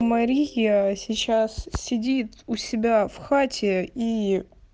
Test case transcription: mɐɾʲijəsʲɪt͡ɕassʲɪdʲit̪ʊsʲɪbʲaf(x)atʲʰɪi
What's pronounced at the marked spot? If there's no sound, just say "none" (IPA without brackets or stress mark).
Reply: x